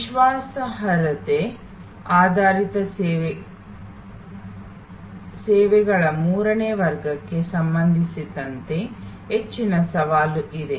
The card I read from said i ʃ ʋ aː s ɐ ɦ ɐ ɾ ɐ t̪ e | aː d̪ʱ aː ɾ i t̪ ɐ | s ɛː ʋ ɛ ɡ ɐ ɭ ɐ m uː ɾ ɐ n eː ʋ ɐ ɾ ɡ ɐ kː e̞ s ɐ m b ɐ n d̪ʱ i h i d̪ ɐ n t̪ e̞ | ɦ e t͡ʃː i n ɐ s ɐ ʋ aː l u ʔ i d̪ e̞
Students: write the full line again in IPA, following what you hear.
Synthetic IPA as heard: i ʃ ʋ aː s ɐ ɦ ɐ ɾ ɐ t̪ e | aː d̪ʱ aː ɾ i t̪ ɐ | s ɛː ʋ ɛ ɡ ɐ ɭ ɐ m uː ɾ ɐ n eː ʋ ɐ ɾ ɡ ɐ kː e̞ s ɐ m b ɐ n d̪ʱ i s i d̪ ɐ n t̪ e̞ | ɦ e t͡ʃː i n ɐ s ɐ ʋ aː l u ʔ i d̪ e̞

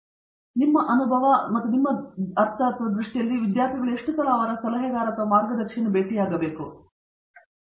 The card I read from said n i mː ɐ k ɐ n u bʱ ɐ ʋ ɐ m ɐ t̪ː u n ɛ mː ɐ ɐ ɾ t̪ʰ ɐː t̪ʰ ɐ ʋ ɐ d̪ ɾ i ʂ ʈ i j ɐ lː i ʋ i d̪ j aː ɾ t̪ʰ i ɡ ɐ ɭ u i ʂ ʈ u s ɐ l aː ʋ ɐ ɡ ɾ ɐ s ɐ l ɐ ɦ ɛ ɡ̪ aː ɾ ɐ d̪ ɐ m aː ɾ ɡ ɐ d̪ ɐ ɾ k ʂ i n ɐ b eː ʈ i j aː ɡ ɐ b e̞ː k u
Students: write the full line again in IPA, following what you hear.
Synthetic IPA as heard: n i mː ɐ ʔ ɐ n u bʱ ɐ ʋ ɐ m ɐ t̪ː u n i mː ɐ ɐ ɾ t̪ʰ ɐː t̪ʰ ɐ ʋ ɐ d̪ ɾ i ʂ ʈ i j ɐ lː i ʋ i d̪ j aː ɾ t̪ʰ i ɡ ɐ ɭ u e ʂ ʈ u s ɐ l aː ʋ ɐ ɾ ɐ s ɐ l ɐ ɦ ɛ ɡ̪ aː ɾ ɐ t̪ ɐ m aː ɾ ɡ ɐ d̪ ɐ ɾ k ʂ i n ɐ b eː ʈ i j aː ɡ ɐ b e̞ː k u

